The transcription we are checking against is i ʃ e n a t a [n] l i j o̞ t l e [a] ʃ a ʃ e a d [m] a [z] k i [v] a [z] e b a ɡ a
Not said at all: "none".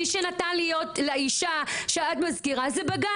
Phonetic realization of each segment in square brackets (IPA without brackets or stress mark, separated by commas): n, i, m, z, ʁ, z